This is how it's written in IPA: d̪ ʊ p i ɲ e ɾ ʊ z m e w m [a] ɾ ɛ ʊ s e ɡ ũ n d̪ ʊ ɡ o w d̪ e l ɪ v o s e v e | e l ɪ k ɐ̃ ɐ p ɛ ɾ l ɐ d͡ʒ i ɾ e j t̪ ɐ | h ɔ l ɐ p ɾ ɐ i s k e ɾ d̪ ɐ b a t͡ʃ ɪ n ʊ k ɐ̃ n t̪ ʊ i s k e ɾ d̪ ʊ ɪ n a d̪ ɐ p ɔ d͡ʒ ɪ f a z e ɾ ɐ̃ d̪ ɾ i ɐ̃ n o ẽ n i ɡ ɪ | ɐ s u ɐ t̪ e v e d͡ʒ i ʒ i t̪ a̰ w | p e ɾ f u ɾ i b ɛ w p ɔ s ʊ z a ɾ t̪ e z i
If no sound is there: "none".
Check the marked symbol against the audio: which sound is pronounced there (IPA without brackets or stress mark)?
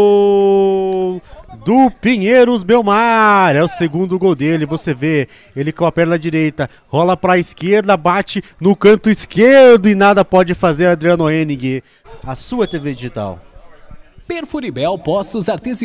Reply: a